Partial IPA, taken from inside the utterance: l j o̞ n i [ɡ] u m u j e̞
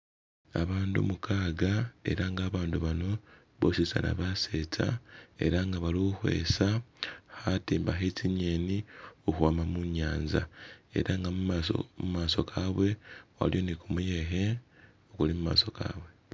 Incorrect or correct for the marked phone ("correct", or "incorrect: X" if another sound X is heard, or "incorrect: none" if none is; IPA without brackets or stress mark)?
incorrect: k